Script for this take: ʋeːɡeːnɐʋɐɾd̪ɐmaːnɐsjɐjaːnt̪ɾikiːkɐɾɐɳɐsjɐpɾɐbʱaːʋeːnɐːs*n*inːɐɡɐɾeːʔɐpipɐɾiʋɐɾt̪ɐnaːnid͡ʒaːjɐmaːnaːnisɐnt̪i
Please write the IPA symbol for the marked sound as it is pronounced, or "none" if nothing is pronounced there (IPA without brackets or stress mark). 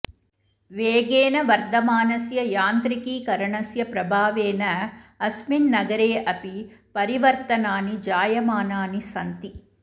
m